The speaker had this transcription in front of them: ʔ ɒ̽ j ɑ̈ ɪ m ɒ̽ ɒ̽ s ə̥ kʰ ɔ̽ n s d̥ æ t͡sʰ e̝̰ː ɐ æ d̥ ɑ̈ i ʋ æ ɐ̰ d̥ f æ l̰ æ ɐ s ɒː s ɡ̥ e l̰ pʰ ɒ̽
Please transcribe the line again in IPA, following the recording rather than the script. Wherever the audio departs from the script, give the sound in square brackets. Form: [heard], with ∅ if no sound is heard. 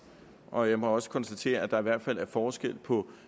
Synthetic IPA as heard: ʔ ɒ̽ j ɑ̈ ɪ m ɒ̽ ɒ̽ s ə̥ kʰ [ɒ̽] n s d̥ æ t͡sʰ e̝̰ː ɐ æ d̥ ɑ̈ i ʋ æ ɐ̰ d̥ f æ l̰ æ ɐ [f] ɒː s ɡ̥ e l̰ pʰ ɒ̽